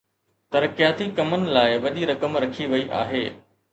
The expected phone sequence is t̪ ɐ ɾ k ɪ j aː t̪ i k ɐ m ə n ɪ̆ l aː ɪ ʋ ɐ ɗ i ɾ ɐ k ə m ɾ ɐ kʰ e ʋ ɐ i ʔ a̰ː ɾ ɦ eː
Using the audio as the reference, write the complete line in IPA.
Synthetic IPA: t̪ ɐ ɾ k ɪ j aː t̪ i k ɐ m ə n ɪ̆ l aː ɪ ʋ ɐ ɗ i ɾ ɐ k ə m ɾ ɐ kʰ i ʋ ɐ i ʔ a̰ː ɦ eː